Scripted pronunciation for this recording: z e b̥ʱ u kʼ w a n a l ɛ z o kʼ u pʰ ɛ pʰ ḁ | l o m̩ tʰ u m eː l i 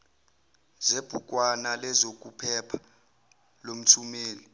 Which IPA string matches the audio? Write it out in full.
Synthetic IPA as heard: z e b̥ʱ u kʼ w a n a l ɛ z o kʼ u pʰ ɛ pʰ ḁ | l o m̩ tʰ u m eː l i